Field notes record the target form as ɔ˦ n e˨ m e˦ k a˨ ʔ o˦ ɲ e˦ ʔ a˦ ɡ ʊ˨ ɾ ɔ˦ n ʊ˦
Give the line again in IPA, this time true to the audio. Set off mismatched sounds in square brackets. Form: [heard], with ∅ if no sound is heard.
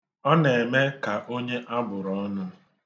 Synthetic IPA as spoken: ɔ˦ n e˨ m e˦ k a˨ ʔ o˦ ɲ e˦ ʔ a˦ [b] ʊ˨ ɾ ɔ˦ n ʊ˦